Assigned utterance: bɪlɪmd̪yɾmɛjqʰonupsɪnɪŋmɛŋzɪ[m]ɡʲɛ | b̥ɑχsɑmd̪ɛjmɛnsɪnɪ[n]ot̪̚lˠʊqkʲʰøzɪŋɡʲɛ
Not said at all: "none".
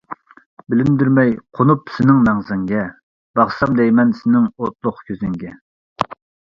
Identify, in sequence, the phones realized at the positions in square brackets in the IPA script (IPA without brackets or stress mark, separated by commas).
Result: ŋ, ŋ